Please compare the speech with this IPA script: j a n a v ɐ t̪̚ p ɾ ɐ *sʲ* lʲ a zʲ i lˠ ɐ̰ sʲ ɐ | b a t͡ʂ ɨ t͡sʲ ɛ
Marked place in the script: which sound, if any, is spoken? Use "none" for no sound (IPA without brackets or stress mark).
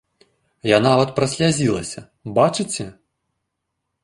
sʲ